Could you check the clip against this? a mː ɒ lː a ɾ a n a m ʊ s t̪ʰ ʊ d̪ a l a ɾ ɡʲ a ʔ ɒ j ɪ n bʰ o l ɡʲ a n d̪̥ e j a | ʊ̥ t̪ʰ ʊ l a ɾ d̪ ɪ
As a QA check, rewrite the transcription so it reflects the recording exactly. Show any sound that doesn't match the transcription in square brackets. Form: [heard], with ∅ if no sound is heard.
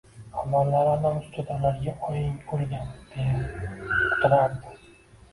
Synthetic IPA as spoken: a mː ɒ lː a ɾ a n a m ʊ s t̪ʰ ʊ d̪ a l a ɾ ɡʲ a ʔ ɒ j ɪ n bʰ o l ɡʲ a n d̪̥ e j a | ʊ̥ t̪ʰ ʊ [ɾ] a ɾ d̪ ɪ